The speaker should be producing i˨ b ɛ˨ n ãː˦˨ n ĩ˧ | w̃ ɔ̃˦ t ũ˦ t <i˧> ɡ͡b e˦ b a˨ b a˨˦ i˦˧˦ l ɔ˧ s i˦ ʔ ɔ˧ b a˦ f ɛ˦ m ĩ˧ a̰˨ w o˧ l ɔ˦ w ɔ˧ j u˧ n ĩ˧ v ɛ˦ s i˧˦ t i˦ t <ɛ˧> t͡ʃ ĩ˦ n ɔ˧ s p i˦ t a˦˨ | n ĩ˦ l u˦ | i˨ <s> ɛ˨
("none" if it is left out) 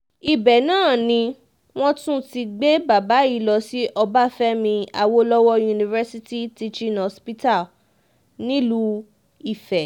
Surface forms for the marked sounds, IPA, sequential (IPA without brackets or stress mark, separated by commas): i˧, i˧, f